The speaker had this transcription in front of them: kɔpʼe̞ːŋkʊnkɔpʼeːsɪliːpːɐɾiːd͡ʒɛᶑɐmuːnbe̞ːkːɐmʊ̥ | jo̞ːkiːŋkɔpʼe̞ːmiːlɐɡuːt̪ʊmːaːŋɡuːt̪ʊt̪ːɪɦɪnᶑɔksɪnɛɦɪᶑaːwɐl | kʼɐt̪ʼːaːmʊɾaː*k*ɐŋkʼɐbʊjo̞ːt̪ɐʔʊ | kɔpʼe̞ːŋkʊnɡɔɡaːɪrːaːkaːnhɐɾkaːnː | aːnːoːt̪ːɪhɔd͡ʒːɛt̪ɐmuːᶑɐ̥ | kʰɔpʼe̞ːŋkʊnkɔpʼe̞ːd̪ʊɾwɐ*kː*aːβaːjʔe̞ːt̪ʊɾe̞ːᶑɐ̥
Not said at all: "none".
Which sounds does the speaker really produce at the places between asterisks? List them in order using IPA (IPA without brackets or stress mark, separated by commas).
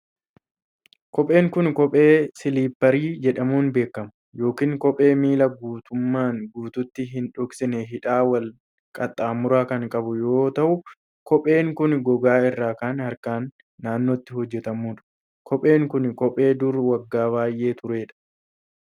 k, ɡː